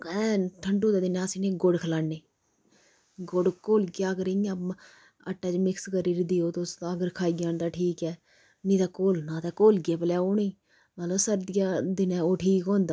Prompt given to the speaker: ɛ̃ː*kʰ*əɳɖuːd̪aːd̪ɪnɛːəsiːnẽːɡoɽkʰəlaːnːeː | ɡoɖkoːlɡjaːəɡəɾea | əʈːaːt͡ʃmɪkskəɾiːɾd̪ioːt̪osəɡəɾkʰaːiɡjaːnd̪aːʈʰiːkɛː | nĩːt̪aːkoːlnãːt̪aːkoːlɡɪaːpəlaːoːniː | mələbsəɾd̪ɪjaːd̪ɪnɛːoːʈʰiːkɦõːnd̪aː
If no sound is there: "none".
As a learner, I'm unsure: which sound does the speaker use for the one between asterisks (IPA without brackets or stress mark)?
ʈʰ